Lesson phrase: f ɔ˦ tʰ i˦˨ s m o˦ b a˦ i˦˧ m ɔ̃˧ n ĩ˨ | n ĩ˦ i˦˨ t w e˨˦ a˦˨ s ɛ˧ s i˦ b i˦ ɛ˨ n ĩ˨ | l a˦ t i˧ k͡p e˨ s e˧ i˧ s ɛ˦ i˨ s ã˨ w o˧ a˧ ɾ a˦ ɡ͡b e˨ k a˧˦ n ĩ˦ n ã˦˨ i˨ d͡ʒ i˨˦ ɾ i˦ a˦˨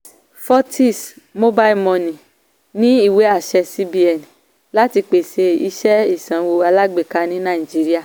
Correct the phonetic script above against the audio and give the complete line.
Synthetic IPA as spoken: f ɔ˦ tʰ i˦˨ s m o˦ b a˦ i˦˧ m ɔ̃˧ n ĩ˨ | n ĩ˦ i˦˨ w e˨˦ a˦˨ ʃ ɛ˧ s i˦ b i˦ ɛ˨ n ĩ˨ | l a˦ t i˧ k͡p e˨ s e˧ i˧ ʃ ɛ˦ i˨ s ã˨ w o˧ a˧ l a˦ ɡ͡b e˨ k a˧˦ n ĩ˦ n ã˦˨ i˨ d͡ʒ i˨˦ ɾ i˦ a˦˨

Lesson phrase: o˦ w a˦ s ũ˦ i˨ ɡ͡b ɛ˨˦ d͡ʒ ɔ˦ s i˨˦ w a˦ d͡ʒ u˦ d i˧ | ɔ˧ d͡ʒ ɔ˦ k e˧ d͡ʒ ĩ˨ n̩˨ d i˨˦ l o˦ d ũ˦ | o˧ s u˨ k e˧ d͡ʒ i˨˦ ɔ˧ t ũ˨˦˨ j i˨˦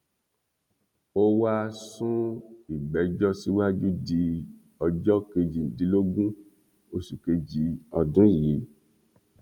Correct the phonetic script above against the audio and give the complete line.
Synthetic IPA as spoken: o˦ w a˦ s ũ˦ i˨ ɡ͡b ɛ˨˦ d͡ʒ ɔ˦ s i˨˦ w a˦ d͡ʒ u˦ d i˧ | ɔ˧ d͡ʒ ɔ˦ k e˧ d͡ʒ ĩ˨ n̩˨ d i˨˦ l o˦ ɡ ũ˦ | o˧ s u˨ k e˧ d͡ʒ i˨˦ ɔ˧ d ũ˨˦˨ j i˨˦

